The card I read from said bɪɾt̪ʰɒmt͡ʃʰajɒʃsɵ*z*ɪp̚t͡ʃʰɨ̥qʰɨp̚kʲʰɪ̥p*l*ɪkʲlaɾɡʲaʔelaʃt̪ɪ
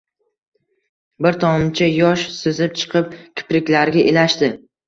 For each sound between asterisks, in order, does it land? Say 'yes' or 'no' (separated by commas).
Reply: yes, no